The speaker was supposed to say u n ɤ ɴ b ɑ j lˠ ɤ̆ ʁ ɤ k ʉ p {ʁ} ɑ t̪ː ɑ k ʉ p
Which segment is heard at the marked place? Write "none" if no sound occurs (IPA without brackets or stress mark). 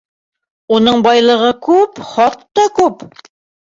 χ